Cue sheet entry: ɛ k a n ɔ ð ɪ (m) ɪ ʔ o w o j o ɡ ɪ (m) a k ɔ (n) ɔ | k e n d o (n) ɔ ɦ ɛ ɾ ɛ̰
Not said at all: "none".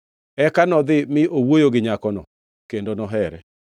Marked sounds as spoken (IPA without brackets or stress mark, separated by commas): m, ɲ, n, n